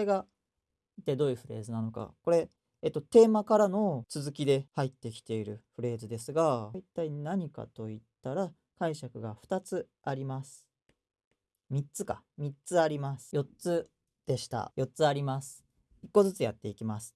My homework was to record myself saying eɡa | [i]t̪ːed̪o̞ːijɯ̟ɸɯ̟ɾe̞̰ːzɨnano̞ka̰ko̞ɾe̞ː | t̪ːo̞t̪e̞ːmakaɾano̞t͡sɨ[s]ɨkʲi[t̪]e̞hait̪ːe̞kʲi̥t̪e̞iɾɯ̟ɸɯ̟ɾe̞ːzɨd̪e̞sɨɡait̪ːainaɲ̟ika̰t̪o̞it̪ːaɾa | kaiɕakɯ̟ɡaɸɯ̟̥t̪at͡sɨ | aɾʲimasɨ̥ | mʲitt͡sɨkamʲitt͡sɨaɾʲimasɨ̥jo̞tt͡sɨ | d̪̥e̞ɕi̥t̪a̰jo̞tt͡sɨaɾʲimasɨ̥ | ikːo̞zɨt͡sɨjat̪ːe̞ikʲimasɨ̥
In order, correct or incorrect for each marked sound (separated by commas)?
correct, incorrect, incorrect